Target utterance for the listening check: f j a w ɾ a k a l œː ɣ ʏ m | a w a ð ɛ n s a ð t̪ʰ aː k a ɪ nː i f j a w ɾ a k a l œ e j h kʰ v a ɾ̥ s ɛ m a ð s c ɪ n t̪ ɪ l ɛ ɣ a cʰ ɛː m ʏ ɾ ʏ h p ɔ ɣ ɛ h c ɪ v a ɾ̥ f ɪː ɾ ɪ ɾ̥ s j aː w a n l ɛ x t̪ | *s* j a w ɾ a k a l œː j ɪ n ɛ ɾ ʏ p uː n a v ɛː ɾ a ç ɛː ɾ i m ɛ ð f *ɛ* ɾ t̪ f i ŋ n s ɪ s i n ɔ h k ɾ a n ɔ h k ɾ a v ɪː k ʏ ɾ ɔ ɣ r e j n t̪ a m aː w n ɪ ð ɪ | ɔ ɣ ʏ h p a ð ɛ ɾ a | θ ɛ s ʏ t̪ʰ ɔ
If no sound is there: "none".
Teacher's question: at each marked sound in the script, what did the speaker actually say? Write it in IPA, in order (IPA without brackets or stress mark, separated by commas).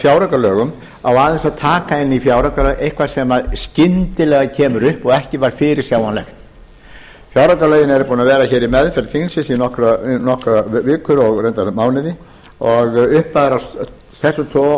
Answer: f, ɛ